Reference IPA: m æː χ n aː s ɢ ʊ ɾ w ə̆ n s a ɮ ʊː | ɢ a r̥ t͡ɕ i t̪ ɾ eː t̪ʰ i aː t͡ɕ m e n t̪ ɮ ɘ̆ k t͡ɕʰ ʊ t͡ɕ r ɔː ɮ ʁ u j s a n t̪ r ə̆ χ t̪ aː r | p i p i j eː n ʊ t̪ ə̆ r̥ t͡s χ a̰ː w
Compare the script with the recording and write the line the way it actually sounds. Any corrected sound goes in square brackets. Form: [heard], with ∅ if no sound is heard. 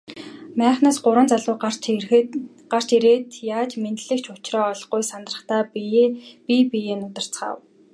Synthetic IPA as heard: m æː χ n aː s ɢ ʊ ɾ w ə̆ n [t͡s] a ɮ ʊː | ɢ a r̥ t͡ɕ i [∅] ɾ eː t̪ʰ [j] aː t͡ɕ m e n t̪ ɮ ɘ̆ k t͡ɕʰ ʊ t͡ɕ r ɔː ɮ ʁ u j s a n t̪ r ə̆ χ t̪ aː [∅] | p i p i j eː n ʊ t̪ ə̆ r̥ t͡s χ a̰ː w

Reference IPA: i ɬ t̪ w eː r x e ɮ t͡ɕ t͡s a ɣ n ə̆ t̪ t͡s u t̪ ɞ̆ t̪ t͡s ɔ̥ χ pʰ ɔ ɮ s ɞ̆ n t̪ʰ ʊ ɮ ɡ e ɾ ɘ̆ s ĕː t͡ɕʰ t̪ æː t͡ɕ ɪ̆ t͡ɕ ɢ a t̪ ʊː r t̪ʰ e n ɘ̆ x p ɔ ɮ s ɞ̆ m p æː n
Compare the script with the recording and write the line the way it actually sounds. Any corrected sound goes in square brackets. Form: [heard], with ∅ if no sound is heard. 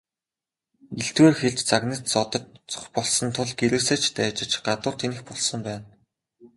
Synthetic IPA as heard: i ɬ t̪ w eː r x e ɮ t͡ɕ t͡s a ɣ n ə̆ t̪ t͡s [ɔ] t̪ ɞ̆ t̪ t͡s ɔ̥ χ [p] ɔ ɮ s ɞ̆ n t̪ʰ ʊ ɮ ɡ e ɾ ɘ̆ s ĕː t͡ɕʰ t̪ æː t͡ɕ ɪ̆ t͡ɕ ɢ a t̪ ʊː r t̪ʰ e n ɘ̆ x p ɔ ɮ s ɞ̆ m p æː n

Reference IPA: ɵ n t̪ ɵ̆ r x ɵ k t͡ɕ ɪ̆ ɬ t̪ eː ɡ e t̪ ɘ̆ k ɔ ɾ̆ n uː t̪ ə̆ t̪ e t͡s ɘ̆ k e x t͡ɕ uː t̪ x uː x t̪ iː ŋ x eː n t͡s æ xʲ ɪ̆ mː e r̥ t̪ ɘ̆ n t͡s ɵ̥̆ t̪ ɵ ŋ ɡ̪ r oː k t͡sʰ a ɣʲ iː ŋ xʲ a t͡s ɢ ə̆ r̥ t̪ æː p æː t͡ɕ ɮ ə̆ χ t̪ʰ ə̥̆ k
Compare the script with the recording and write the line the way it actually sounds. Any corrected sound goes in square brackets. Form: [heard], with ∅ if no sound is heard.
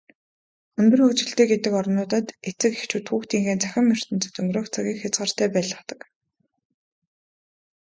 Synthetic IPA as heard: ɵ n t̪ ɵ̆ r x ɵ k t͡ɕ ɪ̆ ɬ t̪ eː ɡ e t̪ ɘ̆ k ɔ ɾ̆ n [ʊː] t̪ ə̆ t̪ e t͡s ɘ̆ k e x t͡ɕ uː t̪ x uː x t̪ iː ŋ x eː n t͡s æ xʲ ɪ̆ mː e r̥ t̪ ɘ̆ n t͡s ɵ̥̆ t̪ ɵ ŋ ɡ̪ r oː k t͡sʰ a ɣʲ iː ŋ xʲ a t͡s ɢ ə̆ r̥ t̪ æː p æː [∅] ɮ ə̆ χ [t̪] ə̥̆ k

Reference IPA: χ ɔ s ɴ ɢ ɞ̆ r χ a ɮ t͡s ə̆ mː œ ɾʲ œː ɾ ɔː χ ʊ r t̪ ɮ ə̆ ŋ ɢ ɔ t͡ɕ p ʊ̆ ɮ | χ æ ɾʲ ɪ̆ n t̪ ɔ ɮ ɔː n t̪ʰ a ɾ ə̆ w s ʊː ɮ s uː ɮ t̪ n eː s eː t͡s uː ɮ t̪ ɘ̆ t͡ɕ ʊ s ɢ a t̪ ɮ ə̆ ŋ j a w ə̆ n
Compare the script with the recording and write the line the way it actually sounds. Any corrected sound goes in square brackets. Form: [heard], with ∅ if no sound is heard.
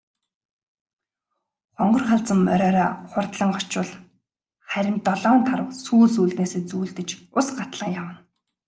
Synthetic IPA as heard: χ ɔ [∅] ɴ ɢ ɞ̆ r χ a ɮ t͡s ə̆ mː œ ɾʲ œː ɾ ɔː χ ʊ r t̪ ɮ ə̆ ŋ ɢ ɔ t͡ɕ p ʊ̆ ɮ | χ æ ɾʲ ɪ̆ n t̪ ɔ ɮ ɔː n t̪ʰ a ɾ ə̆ w s [uː] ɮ s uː ɮ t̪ n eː s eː t͡s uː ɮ t̪ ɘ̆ t͡ɕ ʊ s ɢ a t̪ ɮ ə̆ ŋ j a w ə̆ n

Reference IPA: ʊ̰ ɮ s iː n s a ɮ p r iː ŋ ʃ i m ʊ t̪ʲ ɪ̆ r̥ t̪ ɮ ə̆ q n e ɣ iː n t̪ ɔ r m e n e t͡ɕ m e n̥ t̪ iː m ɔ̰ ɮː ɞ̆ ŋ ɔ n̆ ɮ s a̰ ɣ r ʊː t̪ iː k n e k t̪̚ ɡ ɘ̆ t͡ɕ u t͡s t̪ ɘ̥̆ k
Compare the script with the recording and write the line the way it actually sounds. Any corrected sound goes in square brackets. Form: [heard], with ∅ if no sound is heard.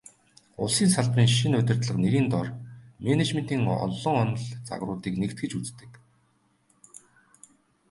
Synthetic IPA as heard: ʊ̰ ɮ s iː n s a ɮ p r iː ŋ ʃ i [n] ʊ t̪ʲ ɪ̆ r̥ t̪ ɮ ə̆ q n e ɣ iː n t̪ ɔ r m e n e t͡ɕ m e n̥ t̪ iː [ŋ] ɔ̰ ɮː ɞ̆ ŋ ɔ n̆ ɮ [t͡s] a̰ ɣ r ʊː t̪ iː k n e k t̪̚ ɡ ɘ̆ t͡ɕ u t͡s t̪ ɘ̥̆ k

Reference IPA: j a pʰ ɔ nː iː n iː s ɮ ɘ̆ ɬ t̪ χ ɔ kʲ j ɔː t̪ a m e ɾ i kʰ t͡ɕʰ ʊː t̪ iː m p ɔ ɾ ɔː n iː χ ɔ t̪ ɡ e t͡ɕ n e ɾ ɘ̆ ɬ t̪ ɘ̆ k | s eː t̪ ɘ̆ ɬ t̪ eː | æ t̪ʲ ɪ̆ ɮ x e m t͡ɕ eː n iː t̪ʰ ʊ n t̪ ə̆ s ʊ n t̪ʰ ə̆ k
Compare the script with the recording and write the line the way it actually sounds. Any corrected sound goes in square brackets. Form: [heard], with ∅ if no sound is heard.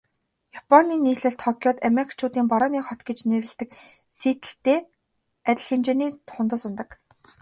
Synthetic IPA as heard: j a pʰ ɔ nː iː n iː s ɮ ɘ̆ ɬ t̪ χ ɔ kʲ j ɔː t̪ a m e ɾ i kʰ t͡ɕʰ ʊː t̪ iː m p ɔ ɾ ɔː n iː χ ɔ t̪ ɡ e t͡ɕ n e ɾ ɘ̆ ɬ t̪ ɘ̆ k | s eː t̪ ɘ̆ ɬ t̪ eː | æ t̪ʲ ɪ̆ ɮ x e m t͡ɕ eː n iː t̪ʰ ʊ n t̪ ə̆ s ʊ n [t̪] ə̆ k

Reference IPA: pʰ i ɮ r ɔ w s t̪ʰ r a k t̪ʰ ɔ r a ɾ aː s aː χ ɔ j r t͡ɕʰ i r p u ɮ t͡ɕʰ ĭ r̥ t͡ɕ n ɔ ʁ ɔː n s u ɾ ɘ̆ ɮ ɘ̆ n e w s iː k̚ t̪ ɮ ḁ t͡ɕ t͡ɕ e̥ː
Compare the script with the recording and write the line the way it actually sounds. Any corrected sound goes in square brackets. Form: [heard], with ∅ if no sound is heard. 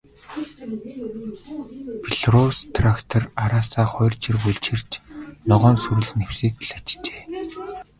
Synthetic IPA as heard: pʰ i ɮ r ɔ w s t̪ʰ r a k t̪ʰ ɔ r a ɾ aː s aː χ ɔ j r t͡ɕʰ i r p u ɮ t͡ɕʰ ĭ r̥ t͡ɕ n ɔ ʁ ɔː n s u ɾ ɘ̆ ɮ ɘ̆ n e w s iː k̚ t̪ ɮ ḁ t͡ɕ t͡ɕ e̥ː

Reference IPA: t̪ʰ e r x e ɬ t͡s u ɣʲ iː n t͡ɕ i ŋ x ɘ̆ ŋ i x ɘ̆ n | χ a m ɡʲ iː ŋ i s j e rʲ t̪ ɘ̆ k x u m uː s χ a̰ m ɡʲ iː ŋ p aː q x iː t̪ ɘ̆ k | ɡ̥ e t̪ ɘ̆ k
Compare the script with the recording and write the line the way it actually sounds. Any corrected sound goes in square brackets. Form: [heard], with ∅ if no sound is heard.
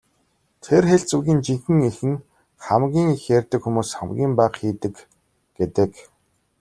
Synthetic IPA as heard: t̪ʰ e r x e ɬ t͡s u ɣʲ iː n t͡ɕ i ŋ x ɘ̆ ŋ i x ɘ̆ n | χ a m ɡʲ iː ŋ i [x] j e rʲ t̪ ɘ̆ k x u m uː s χ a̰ m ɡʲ iː [m] p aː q x iː t̪ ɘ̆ k | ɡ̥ e t̪ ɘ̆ k

